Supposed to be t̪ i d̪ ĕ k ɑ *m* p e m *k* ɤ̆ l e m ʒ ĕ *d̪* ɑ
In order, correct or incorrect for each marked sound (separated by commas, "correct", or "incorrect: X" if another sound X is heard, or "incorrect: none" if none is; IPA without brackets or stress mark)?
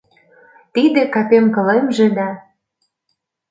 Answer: incorrect: none, correct, correct